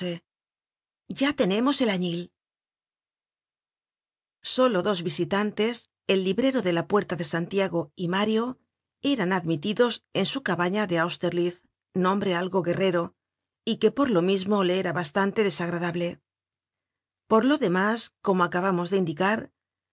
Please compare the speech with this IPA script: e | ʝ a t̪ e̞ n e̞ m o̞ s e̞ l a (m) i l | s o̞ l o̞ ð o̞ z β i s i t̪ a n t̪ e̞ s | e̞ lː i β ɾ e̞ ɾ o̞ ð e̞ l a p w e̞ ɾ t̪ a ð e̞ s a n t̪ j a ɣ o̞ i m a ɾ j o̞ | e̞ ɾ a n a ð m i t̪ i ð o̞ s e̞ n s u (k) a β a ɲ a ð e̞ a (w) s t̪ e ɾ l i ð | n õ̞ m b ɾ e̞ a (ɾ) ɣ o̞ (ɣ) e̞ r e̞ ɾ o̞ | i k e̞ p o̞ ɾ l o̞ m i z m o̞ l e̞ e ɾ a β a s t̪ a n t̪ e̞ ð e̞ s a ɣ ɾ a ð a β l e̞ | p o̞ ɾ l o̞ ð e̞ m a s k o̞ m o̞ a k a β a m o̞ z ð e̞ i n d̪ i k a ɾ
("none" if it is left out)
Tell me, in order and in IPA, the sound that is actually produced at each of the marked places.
ɲ, k, w, l, ɣ

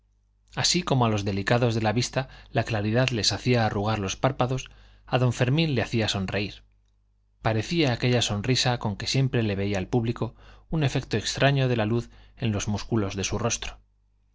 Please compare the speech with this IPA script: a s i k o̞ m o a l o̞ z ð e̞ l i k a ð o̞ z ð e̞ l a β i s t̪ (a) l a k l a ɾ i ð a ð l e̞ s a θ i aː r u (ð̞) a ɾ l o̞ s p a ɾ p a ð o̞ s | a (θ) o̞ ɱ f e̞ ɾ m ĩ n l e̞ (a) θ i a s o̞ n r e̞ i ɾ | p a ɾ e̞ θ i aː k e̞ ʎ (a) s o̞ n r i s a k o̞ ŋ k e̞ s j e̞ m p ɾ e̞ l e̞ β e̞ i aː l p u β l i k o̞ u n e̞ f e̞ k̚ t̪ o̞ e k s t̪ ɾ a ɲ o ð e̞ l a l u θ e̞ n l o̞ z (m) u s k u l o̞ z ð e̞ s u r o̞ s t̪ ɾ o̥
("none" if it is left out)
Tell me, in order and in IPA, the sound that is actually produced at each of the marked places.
a, ɣ̞, ð, a, a, m

